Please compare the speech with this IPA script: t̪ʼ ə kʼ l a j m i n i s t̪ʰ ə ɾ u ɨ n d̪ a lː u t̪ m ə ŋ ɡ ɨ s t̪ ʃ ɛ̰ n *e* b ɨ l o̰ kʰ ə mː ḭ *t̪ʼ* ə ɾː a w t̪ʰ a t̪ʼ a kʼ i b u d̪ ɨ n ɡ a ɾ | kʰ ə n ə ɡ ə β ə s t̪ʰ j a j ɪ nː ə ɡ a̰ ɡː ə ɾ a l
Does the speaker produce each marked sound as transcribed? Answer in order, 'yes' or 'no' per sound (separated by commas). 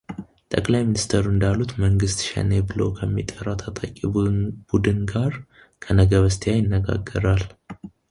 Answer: yes, yes